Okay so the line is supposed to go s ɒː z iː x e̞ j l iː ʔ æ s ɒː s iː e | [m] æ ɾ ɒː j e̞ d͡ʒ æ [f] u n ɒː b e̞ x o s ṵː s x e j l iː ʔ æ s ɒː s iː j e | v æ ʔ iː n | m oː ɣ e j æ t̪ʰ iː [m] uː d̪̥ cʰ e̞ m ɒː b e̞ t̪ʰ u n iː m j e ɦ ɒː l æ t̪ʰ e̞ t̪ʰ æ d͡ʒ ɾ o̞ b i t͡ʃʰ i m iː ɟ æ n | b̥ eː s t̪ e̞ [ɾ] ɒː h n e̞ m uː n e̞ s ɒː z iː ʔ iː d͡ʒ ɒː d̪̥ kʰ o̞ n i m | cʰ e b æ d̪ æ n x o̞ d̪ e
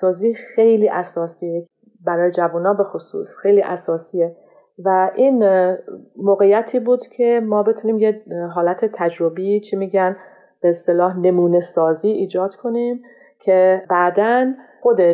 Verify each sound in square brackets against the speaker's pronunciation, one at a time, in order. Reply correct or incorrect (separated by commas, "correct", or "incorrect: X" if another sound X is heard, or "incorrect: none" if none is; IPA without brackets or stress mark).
incorrect: b, incorrect: v, incorrect: b, incorrect: l